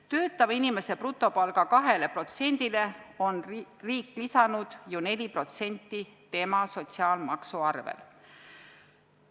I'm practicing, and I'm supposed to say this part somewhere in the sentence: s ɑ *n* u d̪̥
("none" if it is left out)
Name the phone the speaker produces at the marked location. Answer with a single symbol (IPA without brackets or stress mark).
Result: n